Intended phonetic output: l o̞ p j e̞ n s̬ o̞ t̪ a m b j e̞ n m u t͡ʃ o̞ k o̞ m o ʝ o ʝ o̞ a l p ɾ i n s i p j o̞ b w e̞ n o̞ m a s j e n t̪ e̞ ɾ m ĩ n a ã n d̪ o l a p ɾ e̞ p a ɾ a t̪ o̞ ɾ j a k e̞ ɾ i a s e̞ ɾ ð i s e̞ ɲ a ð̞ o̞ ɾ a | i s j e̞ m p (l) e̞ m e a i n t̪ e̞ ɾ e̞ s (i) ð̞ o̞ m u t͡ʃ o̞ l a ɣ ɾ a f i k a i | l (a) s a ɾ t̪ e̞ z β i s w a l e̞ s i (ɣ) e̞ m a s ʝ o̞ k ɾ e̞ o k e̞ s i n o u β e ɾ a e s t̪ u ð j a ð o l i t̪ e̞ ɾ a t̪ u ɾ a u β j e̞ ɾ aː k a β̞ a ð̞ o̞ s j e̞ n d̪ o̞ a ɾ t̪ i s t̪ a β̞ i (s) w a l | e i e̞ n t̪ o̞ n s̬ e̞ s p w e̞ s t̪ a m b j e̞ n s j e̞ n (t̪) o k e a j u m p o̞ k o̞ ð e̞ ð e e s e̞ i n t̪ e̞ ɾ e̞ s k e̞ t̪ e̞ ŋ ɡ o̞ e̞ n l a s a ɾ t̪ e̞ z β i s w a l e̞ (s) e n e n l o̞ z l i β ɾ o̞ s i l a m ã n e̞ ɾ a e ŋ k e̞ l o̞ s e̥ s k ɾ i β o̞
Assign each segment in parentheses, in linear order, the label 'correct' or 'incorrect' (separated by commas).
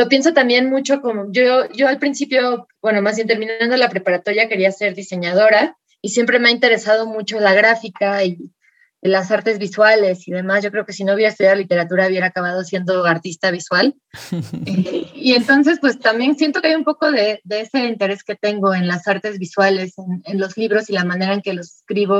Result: incorrect, incorrect, correct, incorrect, correct, correct, correct